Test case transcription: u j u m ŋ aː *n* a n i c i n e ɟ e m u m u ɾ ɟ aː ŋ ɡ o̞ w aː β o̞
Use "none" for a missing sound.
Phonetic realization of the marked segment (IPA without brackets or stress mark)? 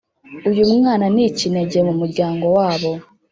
n